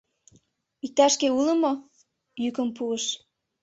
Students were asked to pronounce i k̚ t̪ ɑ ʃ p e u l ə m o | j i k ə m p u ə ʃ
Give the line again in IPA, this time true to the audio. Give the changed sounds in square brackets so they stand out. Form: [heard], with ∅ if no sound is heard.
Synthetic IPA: i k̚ t̪ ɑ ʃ [k] e u l ə m o | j [y] k ə m p u ə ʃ